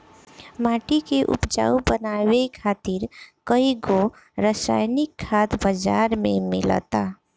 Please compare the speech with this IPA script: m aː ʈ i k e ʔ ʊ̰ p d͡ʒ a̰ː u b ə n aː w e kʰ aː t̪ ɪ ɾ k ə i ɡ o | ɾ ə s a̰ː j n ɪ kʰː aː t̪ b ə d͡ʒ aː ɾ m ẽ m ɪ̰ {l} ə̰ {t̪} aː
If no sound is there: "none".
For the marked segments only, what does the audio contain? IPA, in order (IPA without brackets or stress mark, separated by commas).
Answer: l, t̪